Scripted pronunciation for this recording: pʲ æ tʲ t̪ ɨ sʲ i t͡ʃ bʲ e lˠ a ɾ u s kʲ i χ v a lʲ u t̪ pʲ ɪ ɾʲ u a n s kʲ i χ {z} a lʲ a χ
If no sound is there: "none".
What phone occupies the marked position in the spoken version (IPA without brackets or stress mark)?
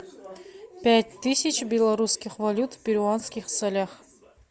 s